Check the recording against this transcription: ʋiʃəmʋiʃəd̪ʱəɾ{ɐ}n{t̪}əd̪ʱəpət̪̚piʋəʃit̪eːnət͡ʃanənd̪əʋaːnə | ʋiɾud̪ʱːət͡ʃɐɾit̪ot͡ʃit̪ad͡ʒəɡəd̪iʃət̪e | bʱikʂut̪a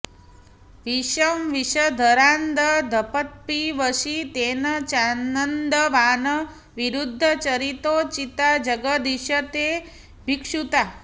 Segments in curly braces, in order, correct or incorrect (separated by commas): incorrect, incorrect